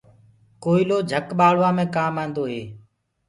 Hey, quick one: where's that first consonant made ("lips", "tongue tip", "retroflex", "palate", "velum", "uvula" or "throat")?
velum